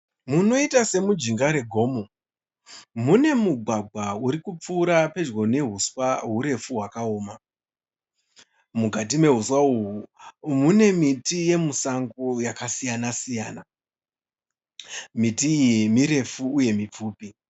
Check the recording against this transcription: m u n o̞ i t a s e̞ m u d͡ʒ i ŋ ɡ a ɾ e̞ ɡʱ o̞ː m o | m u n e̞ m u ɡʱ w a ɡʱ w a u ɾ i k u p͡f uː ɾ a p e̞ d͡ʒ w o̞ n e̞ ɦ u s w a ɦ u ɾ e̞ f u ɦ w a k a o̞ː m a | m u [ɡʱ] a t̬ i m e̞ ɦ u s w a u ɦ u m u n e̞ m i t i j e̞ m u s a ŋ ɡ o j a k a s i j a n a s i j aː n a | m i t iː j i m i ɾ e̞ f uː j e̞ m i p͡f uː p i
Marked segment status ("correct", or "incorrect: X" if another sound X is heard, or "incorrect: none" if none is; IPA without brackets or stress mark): correct